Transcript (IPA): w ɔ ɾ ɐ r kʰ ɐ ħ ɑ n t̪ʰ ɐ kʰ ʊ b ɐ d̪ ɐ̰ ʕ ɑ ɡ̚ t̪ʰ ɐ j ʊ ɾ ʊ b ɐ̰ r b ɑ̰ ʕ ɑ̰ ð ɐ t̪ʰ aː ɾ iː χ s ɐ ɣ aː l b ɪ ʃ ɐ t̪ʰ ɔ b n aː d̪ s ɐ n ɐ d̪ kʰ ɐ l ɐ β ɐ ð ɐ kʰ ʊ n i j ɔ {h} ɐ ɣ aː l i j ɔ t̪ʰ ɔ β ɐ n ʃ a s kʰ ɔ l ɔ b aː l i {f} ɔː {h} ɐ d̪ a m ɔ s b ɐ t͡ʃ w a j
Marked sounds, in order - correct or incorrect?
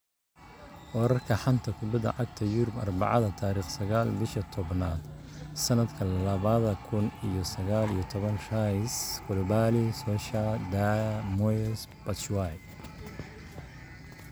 incorrect, incorrect, incorrect

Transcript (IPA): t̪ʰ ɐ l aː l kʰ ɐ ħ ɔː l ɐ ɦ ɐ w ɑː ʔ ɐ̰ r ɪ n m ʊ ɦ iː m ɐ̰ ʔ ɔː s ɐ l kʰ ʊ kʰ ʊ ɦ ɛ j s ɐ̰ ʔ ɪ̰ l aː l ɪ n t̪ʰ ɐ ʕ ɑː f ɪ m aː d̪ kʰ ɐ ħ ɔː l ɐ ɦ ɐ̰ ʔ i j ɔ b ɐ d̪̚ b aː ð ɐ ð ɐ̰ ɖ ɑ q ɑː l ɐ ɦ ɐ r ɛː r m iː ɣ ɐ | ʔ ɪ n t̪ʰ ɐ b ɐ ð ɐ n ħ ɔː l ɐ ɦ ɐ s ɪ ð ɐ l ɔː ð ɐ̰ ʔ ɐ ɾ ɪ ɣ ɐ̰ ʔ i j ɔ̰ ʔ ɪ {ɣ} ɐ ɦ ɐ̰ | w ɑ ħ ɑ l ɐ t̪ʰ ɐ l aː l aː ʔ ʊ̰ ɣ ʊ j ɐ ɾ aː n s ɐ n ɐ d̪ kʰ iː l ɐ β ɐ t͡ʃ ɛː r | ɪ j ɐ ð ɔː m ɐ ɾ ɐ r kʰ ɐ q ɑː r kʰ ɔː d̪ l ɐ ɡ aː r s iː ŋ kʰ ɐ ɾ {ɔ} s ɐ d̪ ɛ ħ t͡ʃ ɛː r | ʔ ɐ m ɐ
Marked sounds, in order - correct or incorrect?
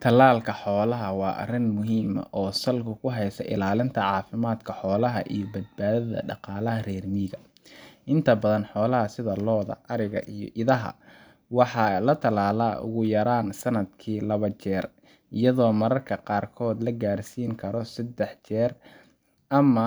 incorrect, correct

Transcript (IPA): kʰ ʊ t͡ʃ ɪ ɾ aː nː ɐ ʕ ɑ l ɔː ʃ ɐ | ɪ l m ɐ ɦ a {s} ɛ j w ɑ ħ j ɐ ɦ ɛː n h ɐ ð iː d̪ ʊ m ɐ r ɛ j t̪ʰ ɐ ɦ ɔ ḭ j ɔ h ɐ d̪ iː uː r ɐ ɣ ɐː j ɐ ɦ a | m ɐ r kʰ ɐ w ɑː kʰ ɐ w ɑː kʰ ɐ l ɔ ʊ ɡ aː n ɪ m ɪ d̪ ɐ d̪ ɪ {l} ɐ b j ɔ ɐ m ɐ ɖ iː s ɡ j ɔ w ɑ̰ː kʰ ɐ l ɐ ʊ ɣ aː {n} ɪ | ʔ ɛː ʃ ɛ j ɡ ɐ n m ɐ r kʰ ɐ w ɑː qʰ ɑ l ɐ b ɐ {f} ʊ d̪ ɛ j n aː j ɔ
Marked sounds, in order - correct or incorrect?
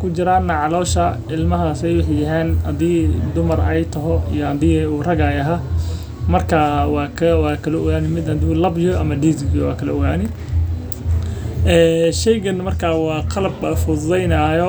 correct, correct, correct, correct

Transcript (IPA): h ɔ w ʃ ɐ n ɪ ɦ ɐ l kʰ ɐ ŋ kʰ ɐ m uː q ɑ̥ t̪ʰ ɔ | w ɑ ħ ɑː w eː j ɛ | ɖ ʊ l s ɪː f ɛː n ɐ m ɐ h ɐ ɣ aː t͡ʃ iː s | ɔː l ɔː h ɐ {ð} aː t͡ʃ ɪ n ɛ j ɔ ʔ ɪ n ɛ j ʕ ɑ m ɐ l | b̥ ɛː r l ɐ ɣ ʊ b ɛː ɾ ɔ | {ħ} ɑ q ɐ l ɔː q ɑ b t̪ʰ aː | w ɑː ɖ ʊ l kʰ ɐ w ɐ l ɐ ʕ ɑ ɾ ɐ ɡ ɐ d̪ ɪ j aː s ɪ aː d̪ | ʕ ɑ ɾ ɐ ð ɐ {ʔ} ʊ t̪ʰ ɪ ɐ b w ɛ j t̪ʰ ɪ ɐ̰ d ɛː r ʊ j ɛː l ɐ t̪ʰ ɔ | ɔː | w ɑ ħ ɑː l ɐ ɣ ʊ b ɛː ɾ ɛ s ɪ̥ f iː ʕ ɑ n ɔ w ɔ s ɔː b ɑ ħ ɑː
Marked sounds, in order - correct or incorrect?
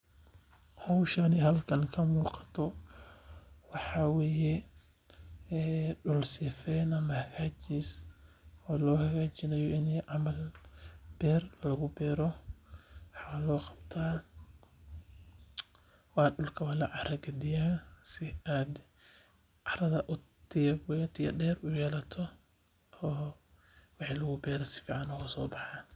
incorrect, correct, correct

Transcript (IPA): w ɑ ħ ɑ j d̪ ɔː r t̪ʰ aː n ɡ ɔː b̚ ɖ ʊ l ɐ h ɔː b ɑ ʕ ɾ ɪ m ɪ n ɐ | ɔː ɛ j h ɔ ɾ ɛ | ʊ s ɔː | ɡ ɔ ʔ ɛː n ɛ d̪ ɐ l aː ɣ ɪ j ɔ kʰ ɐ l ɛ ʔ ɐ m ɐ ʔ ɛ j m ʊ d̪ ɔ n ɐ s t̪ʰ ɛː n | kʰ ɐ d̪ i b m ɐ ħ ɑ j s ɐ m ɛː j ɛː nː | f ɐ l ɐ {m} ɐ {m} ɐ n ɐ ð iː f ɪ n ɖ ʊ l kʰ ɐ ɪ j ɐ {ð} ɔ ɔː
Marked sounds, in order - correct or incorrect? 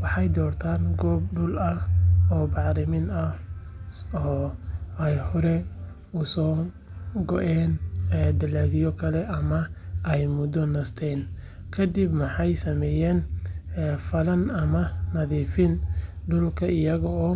incorrect, correct, incorrect

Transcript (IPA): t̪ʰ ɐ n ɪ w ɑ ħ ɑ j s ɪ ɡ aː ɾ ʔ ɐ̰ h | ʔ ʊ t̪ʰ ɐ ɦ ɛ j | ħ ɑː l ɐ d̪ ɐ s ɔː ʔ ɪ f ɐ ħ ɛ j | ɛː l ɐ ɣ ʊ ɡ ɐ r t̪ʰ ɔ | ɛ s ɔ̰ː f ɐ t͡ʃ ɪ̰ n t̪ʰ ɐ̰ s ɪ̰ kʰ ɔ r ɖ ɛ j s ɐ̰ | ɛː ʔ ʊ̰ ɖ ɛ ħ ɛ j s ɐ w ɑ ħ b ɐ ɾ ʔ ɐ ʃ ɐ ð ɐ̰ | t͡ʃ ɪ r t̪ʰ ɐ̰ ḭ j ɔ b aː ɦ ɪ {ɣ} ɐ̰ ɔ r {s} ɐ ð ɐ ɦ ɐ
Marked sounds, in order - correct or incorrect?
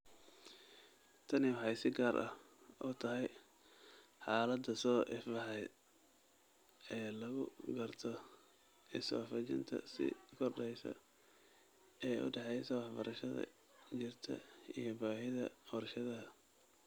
incorrect, incorrect

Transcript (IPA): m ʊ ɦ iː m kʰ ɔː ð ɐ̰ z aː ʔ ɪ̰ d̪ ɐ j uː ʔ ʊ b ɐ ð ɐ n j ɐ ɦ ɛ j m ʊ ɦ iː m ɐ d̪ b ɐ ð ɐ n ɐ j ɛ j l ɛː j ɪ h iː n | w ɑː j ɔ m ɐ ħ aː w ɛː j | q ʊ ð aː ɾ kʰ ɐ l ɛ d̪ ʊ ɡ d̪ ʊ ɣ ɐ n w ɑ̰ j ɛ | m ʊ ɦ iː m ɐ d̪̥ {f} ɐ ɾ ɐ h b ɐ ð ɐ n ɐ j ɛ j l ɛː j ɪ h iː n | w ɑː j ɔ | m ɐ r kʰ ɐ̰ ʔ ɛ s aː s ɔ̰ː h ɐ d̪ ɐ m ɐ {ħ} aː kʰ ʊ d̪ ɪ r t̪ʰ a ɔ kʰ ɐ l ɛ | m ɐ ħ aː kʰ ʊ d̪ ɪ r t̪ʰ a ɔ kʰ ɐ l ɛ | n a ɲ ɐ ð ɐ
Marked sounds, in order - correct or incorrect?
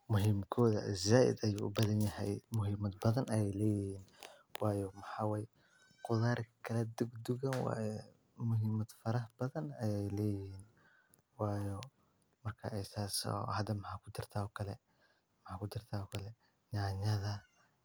correct, correct

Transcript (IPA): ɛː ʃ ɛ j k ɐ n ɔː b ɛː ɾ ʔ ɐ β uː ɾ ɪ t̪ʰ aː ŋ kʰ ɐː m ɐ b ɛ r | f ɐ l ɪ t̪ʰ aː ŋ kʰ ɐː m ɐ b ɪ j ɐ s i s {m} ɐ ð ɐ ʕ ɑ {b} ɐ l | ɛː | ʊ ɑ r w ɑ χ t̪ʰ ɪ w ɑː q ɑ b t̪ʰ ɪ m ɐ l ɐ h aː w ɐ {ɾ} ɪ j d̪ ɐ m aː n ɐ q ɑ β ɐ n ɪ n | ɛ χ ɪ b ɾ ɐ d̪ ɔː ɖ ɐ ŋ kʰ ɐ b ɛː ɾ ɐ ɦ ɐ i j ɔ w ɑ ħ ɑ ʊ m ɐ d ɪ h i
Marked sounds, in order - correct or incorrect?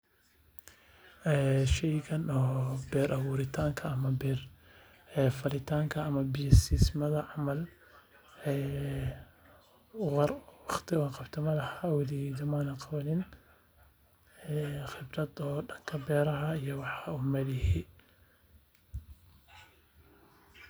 correct, incorrect, incorrect

